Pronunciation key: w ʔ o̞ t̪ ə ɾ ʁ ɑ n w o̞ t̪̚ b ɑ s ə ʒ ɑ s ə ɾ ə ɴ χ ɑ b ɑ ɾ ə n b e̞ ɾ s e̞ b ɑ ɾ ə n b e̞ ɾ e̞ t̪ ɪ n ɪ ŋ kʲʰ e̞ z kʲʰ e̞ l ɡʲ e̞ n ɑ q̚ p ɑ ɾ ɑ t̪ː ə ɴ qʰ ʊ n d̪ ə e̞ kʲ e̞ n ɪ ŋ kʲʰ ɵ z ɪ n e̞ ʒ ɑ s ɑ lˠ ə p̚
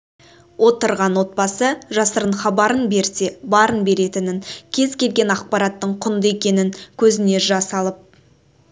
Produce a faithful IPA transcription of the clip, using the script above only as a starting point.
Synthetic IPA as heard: w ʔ o̞ t̪ ə ɾ ʁ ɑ n w o̞ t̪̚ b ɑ s ə ʒ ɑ s ə ɾ ə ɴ χ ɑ b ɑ ɾ ə n b e̞ ɾ s e̞ b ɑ ɾ ə n b e̞ ɾ e̞ t̪ ɪ n ɪ ŋ kʲʰ e̞ z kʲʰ e̞ l ɡʲ e̞ n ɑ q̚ p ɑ ɾ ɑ t̪ː ə ɴ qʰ ʊ n d̪ ə e̞ kʲ e̞ n ɪ ŋ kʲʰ ɵ z ɪ n e̞ ʒ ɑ s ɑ lˠ ə p̚